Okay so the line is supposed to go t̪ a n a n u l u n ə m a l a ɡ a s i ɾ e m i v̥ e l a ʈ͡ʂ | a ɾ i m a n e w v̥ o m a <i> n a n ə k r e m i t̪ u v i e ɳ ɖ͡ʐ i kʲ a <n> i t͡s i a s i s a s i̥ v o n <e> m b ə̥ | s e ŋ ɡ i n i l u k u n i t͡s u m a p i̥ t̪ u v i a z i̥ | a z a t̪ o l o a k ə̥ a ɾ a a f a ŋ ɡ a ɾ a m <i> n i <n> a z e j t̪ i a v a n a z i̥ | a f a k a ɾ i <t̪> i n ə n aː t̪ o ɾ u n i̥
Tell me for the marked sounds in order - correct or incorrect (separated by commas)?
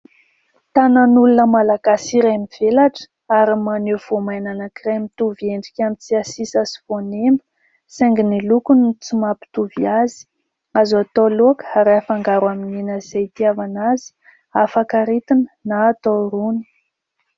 incorrect, incorrect, correct, correct, correct, correct